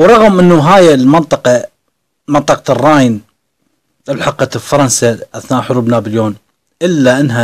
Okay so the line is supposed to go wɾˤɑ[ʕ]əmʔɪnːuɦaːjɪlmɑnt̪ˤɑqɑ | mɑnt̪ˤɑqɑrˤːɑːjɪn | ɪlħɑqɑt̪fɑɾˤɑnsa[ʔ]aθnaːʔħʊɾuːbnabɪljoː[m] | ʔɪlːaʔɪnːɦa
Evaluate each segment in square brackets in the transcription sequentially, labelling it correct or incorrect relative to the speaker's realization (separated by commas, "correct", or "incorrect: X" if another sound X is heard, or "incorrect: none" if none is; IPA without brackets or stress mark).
incorrect: ɣ, correct, incorrect: n